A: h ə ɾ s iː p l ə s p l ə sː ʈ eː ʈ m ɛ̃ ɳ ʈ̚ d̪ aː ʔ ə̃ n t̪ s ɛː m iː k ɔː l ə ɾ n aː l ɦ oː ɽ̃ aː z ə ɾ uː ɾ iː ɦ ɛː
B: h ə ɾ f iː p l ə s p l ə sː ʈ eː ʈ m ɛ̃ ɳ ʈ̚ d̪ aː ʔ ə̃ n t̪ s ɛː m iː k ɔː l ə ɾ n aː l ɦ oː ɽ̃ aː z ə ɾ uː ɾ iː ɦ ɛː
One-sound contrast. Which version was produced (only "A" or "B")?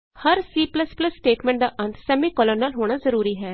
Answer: A